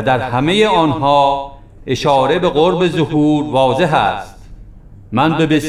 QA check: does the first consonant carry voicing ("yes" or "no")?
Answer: yes